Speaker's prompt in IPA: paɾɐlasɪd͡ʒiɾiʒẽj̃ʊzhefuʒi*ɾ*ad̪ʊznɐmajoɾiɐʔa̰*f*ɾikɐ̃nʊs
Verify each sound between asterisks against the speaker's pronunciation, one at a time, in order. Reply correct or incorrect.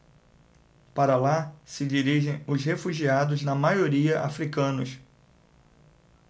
incorrect: none, correct

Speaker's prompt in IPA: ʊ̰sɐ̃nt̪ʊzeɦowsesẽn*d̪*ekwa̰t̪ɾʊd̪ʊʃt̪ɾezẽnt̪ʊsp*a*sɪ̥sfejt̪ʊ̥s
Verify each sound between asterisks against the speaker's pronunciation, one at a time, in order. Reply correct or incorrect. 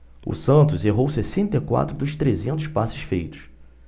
incorrect: t̪, correct

